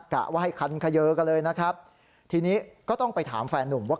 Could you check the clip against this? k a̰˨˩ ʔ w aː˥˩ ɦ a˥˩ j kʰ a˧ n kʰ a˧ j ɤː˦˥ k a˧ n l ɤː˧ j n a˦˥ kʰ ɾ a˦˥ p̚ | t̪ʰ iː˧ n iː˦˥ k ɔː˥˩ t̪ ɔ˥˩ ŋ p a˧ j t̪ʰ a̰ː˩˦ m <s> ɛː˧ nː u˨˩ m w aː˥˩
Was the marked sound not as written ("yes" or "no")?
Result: yes